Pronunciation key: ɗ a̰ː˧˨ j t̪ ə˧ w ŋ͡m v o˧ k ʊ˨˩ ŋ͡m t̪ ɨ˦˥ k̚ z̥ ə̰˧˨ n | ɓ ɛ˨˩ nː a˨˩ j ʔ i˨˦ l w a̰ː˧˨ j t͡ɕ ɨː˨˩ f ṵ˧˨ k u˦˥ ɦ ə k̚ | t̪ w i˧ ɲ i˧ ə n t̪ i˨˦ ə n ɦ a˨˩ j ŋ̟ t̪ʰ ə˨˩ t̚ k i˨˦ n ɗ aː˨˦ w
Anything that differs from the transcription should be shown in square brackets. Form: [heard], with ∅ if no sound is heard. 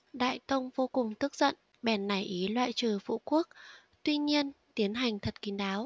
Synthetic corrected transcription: ɗ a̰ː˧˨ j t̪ ə˧ w ŋ͡m v o˧ k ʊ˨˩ ŋ͡m t̪ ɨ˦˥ k̚ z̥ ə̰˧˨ n | ɓ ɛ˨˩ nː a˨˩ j ʔ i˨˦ l w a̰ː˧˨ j t͡ɕ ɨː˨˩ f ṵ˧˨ k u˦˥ [∅] ə k̚ | t̪ w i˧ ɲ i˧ ə n t̪ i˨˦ ə n ɦ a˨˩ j ŋ̟ t̪ʰ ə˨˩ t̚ k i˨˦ n ɗ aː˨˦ w